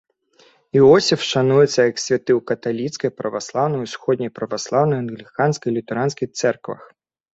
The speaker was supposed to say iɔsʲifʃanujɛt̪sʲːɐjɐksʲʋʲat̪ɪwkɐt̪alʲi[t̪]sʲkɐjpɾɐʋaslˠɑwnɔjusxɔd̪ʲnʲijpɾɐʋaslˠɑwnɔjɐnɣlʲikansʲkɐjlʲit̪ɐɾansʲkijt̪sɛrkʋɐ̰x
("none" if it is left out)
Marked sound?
t̪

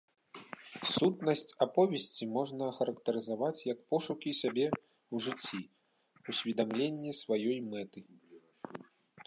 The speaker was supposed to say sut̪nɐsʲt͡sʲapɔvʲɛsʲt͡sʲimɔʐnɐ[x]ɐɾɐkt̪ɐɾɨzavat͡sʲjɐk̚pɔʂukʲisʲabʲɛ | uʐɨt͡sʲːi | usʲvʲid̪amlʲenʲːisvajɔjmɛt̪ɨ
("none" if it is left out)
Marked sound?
x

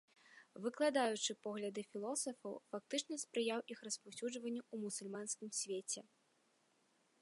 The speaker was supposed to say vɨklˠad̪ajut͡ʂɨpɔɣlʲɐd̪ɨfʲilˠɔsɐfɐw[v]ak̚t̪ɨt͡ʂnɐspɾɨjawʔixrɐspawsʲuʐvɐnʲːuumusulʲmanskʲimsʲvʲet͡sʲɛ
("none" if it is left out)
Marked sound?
f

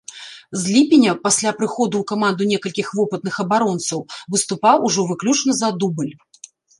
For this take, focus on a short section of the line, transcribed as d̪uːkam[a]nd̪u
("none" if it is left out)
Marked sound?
a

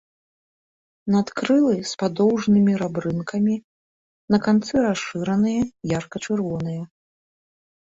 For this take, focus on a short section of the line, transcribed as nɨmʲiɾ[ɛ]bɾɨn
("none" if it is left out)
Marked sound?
a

